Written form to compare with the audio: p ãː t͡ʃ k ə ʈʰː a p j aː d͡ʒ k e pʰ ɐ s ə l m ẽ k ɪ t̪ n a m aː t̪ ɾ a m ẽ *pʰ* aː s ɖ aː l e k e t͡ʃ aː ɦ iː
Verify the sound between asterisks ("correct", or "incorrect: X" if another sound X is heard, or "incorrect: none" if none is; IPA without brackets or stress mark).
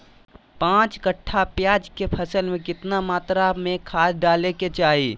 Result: incorrect: kʰ